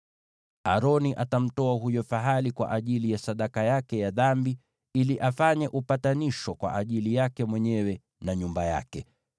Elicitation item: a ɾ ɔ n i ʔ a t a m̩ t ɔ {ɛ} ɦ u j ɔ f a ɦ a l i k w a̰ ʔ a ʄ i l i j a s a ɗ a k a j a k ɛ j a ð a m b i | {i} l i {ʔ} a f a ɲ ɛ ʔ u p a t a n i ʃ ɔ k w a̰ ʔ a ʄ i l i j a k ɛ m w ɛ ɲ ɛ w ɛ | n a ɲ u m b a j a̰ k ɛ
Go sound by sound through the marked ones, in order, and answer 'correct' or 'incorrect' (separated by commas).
incorrect, correct, correct